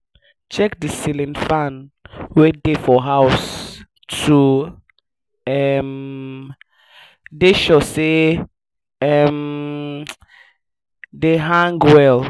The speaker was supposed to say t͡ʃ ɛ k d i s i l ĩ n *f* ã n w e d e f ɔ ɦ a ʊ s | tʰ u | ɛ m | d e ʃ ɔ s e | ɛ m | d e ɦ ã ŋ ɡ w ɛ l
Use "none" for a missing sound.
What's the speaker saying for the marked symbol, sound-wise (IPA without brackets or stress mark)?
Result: f